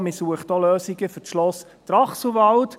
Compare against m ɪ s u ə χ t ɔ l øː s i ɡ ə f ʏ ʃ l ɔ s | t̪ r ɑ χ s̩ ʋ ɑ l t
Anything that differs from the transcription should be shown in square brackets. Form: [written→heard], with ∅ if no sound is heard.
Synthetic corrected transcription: m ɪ s u ə χ t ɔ l øː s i ɡ ə f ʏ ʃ l ɔ s | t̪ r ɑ χ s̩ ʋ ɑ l t